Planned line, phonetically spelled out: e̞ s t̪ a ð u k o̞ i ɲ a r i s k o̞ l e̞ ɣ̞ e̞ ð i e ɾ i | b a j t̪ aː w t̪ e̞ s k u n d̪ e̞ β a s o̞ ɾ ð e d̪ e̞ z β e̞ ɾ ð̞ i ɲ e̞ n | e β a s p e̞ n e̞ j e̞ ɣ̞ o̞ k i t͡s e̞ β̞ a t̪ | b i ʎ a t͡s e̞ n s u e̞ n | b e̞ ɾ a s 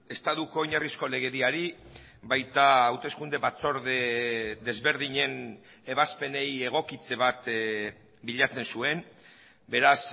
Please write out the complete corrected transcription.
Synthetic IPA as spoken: e̞ s t̪ a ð u k o̞ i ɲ a r i s k o̞ l e̞ ɣ̞ e̞ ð i a ɾ i | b a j t̪ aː w t̪ e̞ s k u n d̪ e̞ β a t͡s o̞ ɾ ð e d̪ e̞ z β e̞ ɾ ð̞ i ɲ e̞ n | e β a s p e̞ n e̞ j e̞ ɣ̞ o̞ k i t͡s e̞ β̞ a t̪ | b i ʎ a t͡s e̞ n s u e̞ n | b e̞ ɾ a s

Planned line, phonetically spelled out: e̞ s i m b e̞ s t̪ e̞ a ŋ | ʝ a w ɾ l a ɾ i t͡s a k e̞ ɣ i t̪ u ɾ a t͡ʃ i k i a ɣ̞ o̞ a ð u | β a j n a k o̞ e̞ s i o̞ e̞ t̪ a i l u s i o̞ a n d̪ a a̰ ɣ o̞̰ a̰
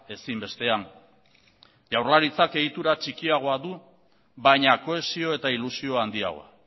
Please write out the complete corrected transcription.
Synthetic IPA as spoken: e̞ s i m b e̞ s t̪ e̞ a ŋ | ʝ a w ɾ l a ɾ i t͡s a k e̞ ɣ i t̪ u ɾ a t͡ʃ i k i a ɣ̞ o̞ a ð u | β a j ɲ a k o̞ e̞ s i o̞ e̞ t̪ a i l u s i o̞ a n d̪ i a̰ ɣ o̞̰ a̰

